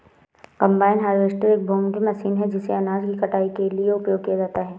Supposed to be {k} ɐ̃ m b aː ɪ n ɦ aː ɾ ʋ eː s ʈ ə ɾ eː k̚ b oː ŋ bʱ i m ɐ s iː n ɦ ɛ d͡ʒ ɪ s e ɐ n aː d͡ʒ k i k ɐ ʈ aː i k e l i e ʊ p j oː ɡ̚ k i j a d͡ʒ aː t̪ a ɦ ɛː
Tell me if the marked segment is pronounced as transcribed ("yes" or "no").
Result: yes